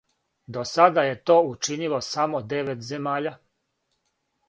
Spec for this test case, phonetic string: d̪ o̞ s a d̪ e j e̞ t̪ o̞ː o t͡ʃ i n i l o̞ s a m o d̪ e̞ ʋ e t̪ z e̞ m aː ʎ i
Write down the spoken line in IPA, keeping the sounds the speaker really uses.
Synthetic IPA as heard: d̪ o̞ s a d̪ a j e̞ t̪ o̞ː u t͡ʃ i n i l o̞ s a m o d̪ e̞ ʋ e t̪ z e̞ m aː ʎ a